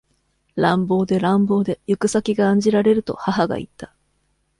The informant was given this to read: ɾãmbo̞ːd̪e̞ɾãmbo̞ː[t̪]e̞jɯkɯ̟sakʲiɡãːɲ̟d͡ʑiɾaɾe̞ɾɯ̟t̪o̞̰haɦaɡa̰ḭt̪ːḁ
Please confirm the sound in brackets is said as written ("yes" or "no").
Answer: no